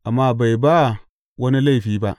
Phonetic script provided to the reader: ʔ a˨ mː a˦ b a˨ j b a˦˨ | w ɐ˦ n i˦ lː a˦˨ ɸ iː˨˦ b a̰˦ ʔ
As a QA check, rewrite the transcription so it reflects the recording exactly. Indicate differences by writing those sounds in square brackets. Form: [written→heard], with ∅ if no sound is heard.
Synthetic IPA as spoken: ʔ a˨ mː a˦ b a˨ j b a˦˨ | w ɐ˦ n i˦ [lː→l] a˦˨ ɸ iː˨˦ b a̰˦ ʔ